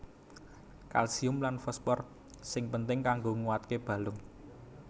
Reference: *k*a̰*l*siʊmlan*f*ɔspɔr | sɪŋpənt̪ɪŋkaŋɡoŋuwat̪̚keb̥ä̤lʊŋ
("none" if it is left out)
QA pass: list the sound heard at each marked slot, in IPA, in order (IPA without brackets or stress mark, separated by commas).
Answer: k, l, f